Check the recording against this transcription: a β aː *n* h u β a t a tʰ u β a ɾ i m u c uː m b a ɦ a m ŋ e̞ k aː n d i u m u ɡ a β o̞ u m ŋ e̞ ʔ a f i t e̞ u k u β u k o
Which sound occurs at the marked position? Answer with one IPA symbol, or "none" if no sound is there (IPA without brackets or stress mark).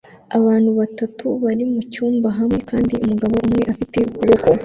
n